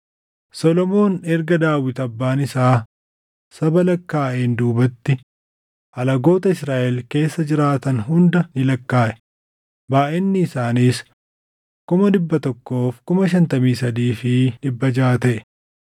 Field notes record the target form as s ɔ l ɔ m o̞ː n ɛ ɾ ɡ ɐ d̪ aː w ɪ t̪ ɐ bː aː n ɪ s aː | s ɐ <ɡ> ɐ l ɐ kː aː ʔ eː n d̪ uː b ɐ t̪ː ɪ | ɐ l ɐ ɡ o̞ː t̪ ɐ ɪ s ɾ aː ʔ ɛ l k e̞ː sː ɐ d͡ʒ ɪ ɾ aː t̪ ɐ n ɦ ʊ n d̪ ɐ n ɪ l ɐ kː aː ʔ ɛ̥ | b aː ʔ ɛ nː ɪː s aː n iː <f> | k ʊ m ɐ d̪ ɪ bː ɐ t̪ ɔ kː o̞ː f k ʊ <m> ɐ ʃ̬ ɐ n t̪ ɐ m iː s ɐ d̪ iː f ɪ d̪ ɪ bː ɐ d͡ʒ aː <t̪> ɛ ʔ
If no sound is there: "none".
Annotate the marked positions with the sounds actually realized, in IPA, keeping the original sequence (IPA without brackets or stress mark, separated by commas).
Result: b, s, m, t̪